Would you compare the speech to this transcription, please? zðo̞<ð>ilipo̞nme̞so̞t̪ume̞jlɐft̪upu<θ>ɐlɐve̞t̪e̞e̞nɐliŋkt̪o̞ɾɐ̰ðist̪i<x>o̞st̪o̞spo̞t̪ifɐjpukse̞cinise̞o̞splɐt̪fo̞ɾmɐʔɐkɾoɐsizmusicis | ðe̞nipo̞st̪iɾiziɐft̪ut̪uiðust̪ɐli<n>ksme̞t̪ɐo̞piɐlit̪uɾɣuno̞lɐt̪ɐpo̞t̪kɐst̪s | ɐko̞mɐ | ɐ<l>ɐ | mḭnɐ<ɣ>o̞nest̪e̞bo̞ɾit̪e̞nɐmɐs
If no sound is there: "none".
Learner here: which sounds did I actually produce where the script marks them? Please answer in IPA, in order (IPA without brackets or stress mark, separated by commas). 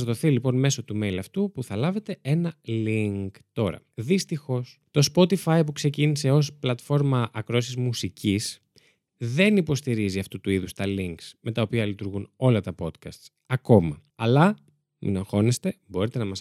θ, θ, x, ŋ, l, x